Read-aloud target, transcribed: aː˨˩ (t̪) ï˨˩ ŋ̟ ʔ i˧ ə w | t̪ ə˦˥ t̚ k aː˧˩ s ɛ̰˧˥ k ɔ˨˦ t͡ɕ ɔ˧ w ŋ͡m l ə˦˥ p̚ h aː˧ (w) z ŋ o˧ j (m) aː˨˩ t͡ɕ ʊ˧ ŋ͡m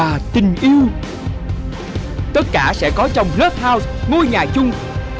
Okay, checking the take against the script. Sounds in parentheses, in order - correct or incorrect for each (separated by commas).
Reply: correct, correct, incorrect